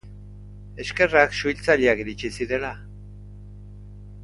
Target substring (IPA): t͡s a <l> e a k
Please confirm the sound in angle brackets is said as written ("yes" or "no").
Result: no